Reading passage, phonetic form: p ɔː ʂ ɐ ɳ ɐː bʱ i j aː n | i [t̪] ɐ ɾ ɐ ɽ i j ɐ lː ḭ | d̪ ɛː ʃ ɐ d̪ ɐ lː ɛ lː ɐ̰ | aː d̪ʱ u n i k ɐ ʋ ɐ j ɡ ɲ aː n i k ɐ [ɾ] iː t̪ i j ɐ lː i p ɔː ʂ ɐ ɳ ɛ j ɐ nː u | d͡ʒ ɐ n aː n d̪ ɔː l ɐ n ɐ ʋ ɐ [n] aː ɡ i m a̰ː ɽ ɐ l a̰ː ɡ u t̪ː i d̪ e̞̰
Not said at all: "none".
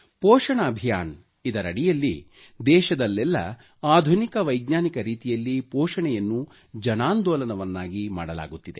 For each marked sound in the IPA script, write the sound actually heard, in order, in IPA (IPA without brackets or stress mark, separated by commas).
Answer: d̪, ɾ, nː